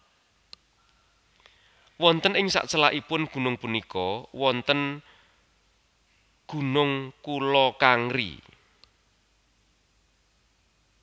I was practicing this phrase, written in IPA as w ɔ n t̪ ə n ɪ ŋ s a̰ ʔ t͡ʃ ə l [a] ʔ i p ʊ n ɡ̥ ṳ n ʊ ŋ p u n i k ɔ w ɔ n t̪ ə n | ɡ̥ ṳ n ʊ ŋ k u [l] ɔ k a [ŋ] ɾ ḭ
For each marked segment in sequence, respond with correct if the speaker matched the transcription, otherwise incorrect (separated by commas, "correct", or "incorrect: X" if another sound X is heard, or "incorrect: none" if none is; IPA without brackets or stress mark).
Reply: correct, correct, correct